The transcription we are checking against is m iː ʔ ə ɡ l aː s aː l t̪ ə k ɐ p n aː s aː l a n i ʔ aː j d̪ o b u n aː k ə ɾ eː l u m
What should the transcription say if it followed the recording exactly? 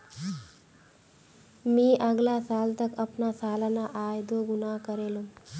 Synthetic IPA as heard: m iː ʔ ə ɡ l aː s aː l t̪ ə k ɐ p n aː s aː l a n a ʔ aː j d̪ o ɡ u n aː k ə ɾ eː l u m